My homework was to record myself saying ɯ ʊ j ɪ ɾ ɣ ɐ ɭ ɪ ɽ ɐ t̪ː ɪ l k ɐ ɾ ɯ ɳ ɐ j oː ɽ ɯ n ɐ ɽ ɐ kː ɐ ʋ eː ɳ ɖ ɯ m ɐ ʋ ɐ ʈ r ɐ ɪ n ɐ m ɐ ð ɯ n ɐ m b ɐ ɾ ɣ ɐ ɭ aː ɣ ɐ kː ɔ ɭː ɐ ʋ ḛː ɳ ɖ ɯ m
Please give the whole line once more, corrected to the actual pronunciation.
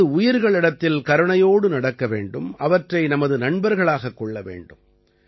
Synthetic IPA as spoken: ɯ ʊ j ɪ ɾ ɣ ɐ ɭ ɪ ɽ ɐ t̪ː ɪ l k ɐ ɾ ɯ ɳ ɐ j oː ɽ ɯ n ɐ ɽ ɐ kː ɐ ʋ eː ɳ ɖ ɯ m ɐ ʋ ɐ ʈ r ɐ ɪ n ɐ m ɐ ð ɯ n ɐ ɳ b ɐ ɾ ɣ ɐ ɭ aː ɣ ɐ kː ɔ ɭː ɐ ʋ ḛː ɳ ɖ ɯ m